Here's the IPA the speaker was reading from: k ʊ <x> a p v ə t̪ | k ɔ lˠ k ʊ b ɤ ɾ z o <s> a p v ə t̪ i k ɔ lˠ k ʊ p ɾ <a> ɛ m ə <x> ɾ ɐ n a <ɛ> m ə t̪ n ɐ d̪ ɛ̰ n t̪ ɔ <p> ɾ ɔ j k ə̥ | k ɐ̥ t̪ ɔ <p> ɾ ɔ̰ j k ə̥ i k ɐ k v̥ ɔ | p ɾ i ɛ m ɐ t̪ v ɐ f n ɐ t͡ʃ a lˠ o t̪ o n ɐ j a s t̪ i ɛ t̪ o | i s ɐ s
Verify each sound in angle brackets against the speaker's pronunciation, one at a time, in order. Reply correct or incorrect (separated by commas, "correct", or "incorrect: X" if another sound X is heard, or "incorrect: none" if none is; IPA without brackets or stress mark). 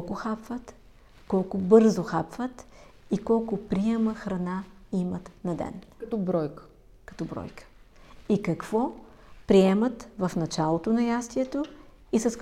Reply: correct, incorrect: x, incorrect: i, correct, incorrect: i, incorrect: b, incorrect: b